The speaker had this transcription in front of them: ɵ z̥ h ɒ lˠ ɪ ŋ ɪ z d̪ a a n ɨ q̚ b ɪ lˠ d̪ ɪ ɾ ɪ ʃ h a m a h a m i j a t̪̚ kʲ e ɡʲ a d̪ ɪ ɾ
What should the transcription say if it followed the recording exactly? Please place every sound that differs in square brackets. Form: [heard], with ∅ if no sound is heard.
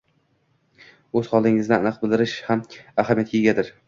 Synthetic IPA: ɵ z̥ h ɒ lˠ ɪ ŋ ɪ z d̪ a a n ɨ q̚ b ɪ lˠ d̪ ɪ ɾ ɪ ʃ h a m a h a m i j a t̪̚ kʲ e ɡʲ a d̪ ɪ ɾ